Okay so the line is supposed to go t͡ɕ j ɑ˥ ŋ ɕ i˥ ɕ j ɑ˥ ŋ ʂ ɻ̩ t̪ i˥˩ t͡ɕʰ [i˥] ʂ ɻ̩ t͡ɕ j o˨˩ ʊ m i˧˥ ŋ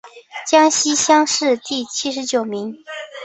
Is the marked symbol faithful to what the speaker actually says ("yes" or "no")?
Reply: yes